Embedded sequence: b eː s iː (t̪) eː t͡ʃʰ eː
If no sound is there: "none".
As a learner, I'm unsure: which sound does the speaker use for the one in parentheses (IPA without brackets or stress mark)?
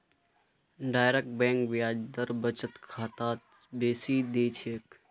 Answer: d̪